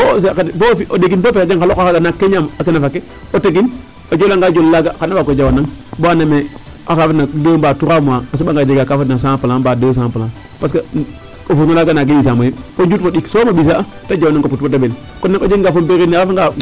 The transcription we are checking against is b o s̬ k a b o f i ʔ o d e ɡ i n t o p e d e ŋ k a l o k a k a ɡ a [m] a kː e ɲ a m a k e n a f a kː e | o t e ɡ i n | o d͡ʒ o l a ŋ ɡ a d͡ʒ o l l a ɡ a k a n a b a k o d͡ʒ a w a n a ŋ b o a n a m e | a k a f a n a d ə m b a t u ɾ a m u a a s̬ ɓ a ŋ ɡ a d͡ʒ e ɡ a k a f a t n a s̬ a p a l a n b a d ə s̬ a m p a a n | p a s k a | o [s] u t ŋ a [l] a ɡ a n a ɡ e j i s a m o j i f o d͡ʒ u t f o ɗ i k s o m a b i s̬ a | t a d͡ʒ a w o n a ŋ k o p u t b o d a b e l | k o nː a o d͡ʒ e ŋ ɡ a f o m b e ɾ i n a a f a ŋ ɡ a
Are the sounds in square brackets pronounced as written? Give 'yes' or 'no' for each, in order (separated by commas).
no, no, yes